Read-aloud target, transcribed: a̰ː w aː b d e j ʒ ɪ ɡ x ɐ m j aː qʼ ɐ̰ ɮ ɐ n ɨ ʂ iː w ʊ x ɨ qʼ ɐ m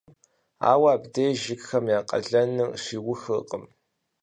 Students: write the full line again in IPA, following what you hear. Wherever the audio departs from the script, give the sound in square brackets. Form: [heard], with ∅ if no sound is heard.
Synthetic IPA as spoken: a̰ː w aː b d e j ʒ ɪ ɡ x ɐ m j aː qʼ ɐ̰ ɮ ɐ n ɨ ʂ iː w ʊ x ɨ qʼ [ə] m